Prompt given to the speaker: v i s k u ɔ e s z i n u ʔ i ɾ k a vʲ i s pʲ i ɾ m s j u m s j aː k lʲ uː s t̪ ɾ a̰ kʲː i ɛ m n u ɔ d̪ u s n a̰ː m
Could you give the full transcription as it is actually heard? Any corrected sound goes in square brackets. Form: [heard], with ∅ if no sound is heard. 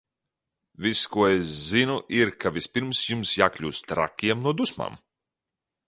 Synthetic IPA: v i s k u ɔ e s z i n u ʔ i ɾ k a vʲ i s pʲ i ɾ m s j u m s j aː k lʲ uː s t̪ ɾ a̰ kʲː i ɛ m n u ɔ d̪ u s [m] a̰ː m